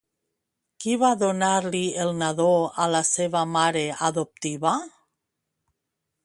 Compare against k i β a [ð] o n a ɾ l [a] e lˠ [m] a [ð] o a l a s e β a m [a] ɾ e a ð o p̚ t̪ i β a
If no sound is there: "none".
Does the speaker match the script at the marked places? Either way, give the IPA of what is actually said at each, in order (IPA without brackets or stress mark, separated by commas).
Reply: ð, i, n, ð, a